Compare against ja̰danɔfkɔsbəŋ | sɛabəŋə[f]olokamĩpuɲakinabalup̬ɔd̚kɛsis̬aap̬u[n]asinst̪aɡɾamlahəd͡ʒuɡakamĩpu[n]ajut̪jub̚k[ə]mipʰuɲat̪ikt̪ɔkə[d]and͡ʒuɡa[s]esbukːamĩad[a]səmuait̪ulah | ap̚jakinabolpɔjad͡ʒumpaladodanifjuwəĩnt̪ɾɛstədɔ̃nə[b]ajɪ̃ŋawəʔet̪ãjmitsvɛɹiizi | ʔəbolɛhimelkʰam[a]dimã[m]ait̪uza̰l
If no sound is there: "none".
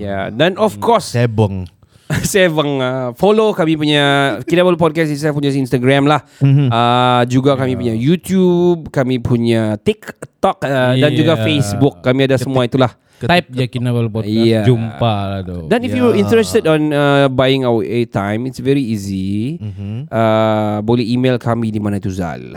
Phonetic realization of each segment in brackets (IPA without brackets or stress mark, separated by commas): f, ɲ, ɲ, a, d, f, a, b, i, n